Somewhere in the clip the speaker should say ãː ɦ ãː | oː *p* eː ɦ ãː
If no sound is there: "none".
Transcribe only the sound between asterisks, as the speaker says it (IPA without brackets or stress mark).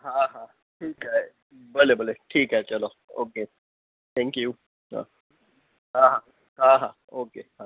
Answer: k